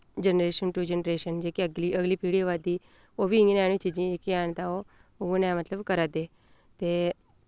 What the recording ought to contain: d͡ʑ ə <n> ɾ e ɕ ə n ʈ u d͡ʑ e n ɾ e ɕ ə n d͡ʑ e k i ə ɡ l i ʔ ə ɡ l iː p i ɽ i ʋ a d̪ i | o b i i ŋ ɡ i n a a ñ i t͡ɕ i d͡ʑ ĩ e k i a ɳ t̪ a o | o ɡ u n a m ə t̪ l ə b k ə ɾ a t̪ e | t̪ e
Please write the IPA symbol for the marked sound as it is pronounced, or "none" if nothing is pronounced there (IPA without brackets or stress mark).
n